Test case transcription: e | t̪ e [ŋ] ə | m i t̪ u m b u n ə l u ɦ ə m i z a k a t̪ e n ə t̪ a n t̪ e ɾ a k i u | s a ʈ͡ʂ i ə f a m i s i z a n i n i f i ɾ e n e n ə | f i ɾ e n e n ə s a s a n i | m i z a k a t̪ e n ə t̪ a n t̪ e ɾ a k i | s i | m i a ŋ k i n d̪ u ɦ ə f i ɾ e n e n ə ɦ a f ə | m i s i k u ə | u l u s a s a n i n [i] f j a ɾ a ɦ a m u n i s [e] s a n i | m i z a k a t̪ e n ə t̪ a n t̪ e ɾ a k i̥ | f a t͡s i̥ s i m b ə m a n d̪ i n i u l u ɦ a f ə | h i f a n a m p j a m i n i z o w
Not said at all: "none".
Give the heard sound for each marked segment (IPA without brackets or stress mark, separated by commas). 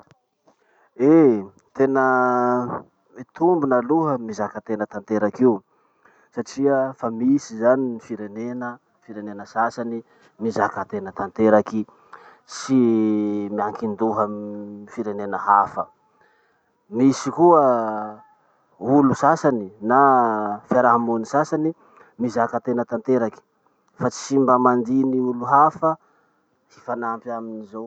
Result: n, a, a